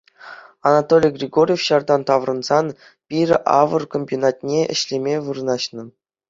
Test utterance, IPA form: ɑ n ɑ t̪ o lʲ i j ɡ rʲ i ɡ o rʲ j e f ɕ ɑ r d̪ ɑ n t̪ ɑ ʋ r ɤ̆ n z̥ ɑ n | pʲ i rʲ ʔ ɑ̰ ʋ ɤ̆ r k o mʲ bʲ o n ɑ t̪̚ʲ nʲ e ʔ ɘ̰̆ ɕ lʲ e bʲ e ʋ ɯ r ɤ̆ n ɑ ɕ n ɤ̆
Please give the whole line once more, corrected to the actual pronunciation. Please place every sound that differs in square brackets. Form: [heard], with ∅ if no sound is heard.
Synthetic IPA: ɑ n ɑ t̪ o lʲ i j ɡ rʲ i ɡ o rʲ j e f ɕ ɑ r d̪ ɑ n t̪ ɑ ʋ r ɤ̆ n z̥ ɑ n | pʲ i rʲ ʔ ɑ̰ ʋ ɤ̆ r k o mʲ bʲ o n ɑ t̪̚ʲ nʲ e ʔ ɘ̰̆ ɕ lʲ e [mʲ] e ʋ ɯ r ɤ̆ n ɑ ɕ n ɤ̆